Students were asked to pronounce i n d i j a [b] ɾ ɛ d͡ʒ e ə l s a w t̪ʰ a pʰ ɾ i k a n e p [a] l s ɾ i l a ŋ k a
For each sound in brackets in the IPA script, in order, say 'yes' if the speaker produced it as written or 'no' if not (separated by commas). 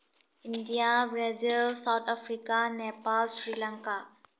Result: yes, yes